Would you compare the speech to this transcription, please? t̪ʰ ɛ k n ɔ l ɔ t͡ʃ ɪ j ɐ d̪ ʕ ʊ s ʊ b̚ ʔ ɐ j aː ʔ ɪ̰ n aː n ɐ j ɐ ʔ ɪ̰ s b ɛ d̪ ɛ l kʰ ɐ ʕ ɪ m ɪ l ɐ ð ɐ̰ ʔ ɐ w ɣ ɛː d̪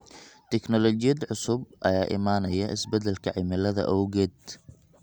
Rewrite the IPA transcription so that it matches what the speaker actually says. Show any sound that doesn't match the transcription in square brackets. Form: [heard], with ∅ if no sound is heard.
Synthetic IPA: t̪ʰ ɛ k n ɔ l ɔ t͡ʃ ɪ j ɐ d̪ ʕ ʊ s ʊ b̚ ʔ ɐ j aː ʔ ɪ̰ [m] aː n ɐ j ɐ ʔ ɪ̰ s b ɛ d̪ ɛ l kʰ ɐ ʕ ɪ m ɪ l ɐ ð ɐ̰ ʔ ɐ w ɣ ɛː d̪

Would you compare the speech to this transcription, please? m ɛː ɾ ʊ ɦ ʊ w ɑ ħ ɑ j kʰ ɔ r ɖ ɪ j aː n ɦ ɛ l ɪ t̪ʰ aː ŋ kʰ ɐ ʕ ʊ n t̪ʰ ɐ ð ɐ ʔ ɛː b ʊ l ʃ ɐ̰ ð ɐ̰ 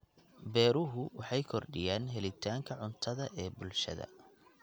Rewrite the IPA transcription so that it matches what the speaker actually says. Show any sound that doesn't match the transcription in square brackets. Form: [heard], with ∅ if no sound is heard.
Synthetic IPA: [b] ɛː ɾ ʊ ɦ ʊ w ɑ ħ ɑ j kʰ ɔ r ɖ ɪ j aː n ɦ ɛ l ɪ t̪ʰ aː ŋ kʰ ɐ ʕ ʊ n t̪ʰ ɐ ð ɐ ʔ ɛː b ʊ l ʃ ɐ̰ ð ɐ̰

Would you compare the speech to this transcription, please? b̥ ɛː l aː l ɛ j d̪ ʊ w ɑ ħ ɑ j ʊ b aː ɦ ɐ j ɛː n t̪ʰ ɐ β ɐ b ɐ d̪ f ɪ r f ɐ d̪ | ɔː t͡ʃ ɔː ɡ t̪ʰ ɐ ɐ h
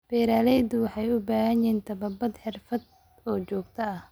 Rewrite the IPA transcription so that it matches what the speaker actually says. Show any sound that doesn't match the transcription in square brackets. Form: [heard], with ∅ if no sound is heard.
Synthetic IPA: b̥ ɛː [ɾ] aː l ɛ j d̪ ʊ w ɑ ħ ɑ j ʊ b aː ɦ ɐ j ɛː n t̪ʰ ɐ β ɐ b ɐ d̪ [ħ] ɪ r f ɐ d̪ | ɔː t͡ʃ ɔː ɡ t̪ʰ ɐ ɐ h

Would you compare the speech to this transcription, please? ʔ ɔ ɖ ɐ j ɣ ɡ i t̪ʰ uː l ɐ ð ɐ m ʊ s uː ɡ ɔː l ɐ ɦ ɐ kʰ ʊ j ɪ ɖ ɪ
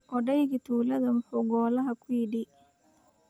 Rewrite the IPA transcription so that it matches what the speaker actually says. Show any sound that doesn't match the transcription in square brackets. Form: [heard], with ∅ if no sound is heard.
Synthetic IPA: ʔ ɔ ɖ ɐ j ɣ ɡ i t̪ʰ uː l ɐ ð ɐ m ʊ [ħ] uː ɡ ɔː l ɐ ɦ ɐ kʰ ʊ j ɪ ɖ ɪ

